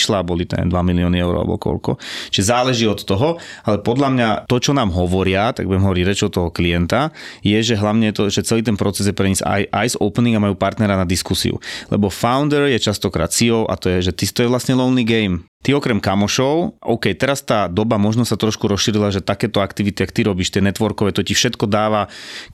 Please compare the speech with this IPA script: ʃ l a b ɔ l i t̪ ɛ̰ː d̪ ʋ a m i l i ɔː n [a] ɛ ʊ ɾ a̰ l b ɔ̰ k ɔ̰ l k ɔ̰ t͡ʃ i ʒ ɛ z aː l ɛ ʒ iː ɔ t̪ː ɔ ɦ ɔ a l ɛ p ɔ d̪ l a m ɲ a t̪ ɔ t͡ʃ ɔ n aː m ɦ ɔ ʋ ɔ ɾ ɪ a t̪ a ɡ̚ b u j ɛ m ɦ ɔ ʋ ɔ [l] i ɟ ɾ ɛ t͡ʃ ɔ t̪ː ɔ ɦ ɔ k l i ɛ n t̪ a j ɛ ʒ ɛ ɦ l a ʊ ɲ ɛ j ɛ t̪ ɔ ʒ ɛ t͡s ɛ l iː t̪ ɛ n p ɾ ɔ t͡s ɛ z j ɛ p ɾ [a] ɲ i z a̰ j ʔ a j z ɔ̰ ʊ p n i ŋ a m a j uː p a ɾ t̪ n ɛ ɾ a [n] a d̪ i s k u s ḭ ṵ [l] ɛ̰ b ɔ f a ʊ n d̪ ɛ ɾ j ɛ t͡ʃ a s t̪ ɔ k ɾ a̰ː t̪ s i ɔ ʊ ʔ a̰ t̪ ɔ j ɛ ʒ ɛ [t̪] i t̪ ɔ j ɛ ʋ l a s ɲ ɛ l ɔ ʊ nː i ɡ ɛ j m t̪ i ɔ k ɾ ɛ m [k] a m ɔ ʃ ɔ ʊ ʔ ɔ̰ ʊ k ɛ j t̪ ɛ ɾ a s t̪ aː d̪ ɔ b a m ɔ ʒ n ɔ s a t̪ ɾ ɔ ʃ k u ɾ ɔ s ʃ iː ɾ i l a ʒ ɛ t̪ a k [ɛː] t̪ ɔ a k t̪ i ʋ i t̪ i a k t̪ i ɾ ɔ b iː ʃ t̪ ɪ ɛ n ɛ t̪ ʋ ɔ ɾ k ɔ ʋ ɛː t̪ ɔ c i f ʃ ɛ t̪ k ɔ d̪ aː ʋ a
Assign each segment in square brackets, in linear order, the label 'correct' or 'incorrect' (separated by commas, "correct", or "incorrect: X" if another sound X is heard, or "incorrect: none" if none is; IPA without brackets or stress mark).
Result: incorrect: i, incorrect: ɾ, incorrect: ɛ, correct, correct, correct, correct, correct